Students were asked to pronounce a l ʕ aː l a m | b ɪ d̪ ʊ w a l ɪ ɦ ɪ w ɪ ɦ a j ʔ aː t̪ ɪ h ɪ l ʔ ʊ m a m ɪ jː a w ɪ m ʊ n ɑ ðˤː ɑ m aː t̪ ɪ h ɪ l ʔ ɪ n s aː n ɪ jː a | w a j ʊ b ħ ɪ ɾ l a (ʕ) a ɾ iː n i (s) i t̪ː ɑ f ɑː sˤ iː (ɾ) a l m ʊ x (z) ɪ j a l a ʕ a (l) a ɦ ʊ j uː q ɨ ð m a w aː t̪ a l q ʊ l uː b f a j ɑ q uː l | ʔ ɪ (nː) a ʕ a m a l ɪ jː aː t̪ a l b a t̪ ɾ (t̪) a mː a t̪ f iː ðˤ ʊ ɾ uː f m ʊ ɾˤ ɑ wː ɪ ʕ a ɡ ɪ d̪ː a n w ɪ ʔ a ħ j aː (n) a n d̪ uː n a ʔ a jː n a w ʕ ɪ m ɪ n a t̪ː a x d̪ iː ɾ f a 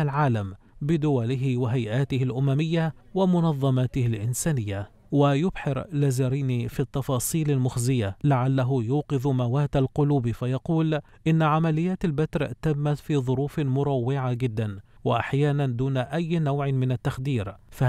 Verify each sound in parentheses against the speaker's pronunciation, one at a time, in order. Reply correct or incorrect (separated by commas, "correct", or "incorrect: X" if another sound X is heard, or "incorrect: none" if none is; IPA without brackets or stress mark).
incorrect: z, incorrect: f, incorrect: l, correct, incorrect: lː, correct, correct, correct